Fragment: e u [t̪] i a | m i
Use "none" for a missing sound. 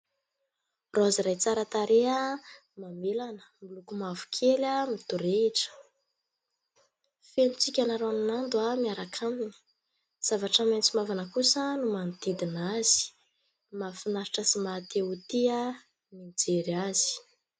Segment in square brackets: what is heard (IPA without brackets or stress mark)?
t̪